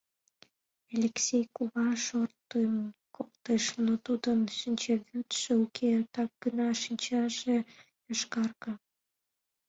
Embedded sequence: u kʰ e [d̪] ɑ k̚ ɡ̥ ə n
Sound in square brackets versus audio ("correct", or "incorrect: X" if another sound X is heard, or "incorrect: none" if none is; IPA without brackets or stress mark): incorrect: t̪